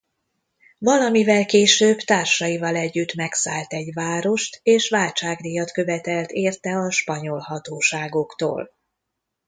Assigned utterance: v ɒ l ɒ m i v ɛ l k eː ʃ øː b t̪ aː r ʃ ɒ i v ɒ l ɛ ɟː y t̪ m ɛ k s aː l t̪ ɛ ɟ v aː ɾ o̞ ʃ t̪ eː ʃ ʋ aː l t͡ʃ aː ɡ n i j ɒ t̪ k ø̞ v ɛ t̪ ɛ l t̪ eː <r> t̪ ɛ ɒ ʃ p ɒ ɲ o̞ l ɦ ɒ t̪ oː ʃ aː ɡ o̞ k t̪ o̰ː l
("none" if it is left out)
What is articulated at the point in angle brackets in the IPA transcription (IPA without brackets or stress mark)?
r